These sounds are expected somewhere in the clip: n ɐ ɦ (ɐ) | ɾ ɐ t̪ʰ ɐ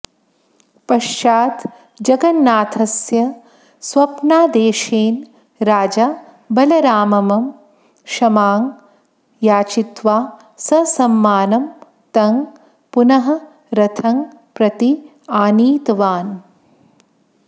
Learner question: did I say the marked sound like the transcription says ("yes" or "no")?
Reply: yes